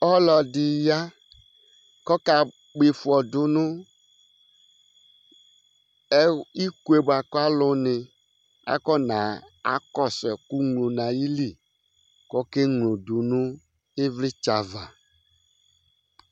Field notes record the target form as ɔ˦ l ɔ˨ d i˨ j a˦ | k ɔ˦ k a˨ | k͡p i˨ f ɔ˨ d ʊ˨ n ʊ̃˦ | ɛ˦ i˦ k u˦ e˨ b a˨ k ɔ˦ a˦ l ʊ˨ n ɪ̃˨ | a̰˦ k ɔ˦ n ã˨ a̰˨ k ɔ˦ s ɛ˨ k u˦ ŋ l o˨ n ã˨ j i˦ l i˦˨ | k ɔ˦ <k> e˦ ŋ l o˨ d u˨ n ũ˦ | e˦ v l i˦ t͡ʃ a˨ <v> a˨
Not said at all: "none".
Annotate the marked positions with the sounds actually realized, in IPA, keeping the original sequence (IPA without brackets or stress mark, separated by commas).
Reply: k, v